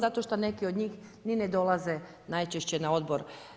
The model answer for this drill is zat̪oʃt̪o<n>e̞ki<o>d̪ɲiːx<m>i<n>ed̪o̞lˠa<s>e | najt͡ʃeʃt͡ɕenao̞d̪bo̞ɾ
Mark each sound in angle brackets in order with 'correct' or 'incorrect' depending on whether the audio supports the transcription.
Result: correct, correct, incorrect, correct, incorrect

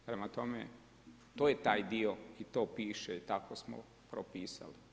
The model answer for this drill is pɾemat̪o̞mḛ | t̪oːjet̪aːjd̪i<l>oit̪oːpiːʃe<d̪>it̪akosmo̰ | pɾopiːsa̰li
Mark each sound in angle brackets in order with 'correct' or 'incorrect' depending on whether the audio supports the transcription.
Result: incorrect, incorrect

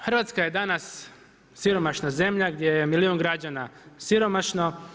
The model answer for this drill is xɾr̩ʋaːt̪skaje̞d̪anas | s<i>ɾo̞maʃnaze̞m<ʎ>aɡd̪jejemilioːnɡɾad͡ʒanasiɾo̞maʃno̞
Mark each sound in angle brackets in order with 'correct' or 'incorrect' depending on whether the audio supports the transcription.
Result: correct, correct

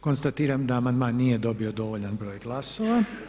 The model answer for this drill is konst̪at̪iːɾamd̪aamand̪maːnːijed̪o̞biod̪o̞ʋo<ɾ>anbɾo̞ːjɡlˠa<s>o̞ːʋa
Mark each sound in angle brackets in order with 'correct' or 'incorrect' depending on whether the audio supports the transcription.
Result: incorrect, correct

